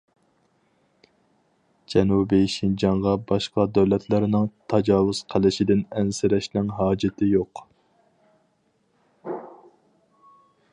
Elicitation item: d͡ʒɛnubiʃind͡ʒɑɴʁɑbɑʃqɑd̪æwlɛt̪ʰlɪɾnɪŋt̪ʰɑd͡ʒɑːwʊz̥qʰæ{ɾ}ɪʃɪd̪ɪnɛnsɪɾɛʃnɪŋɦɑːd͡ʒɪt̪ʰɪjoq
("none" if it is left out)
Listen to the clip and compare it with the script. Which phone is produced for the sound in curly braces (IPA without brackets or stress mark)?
l